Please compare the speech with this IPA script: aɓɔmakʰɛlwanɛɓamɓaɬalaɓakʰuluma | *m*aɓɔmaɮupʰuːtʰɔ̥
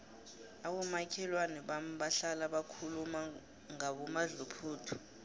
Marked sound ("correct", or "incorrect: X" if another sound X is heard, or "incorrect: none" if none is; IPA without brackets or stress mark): incorrect: ŋ